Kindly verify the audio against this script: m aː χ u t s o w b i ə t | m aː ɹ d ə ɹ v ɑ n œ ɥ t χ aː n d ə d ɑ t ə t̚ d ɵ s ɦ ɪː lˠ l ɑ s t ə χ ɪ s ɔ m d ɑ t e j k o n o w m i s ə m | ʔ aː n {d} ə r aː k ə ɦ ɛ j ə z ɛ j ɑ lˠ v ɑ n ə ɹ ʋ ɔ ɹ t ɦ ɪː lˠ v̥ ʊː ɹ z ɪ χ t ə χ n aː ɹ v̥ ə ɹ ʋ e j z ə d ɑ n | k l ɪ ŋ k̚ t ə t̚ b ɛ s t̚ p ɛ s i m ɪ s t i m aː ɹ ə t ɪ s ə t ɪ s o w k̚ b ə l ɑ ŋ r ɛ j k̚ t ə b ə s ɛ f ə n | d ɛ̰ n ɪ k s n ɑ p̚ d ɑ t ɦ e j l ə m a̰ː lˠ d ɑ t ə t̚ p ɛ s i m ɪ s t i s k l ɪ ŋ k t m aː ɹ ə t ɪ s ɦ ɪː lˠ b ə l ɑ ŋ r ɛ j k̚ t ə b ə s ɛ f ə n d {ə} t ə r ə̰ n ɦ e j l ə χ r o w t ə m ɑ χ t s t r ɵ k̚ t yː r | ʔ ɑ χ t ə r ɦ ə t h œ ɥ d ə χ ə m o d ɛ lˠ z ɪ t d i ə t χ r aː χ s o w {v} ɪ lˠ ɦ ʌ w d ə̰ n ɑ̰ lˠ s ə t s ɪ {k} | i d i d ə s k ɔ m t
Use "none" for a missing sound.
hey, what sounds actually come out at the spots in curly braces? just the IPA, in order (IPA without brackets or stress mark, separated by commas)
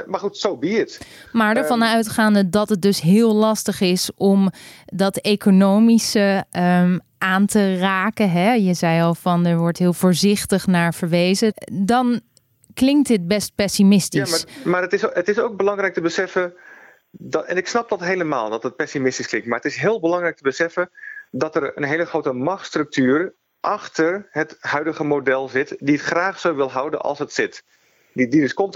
t, ɑ, ʋ, t